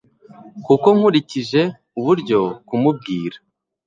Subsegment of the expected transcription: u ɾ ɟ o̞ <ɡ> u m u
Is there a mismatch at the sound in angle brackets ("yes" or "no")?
yes